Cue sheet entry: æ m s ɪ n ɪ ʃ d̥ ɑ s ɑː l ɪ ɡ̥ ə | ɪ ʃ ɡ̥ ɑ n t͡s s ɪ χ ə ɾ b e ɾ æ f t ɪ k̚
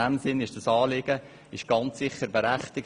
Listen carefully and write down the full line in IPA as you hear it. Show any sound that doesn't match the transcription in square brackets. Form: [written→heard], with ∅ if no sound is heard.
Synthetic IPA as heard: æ m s ɪ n ɪ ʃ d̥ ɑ s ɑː l ɪ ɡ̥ ə | ɪ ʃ ɡ̥ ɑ n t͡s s ɪ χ ə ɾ b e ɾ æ [f→χ] t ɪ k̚